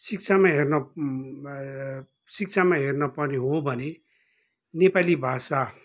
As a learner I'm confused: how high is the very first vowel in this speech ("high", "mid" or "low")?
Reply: high